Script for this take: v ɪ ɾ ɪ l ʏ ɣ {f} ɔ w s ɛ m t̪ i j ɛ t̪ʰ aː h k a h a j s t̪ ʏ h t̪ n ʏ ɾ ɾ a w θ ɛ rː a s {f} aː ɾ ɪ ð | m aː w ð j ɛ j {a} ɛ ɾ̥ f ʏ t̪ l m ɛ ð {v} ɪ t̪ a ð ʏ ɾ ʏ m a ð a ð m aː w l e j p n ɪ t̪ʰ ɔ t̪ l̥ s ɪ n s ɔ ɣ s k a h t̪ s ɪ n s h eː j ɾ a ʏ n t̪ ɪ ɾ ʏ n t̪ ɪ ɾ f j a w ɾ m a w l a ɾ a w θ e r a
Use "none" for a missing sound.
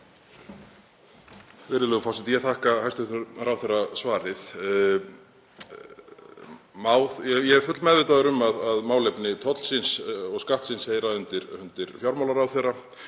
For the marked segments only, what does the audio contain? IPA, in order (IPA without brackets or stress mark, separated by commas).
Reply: f, v, ɛ, v